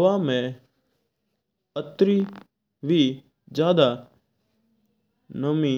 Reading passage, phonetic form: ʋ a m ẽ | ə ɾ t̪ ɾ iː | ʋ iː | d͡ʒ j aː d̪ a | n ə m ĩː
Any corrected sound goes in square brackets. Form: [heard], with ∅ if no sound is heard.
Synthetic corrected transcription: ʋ a m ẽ | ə [∅] t̪ ɾ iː | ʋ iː | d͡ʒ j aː d̪ a | n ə m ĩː